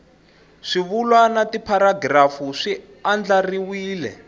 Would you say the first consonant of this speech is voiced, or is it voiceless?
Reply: voiceless